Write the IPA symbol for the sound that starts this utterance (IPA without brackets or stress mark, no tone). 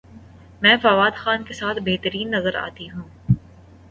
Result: m